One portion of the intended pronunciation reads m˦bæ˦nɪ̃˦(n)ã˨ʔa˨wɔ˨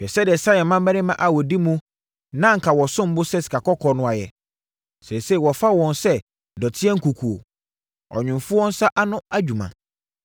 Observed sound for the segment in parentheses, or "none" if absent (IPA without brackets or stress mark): m